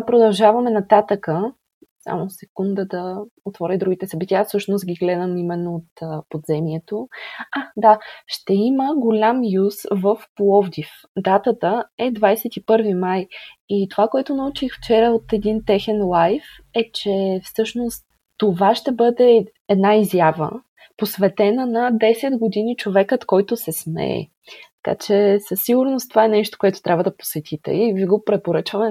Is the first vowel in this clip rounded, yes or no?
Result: yes